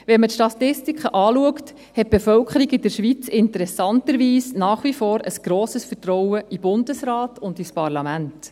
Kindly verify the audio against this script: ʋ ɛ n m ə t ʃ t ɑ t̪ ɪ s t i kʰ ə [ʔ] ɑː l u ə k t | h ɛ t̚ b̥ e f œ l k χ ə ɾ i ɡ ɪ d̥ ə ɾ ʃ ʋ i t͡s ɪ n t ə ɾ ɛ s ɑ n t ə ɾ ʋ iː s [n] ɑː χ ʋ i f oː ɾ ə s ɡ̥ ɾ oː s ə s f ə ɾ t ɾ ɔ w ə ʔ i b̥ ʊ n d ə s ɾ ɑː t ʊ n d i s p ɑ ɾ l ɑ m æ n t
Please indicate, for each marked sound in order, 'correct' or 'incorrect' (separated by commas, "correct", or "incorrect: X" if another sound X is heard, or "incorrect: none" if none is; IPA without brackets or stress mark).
correct, correct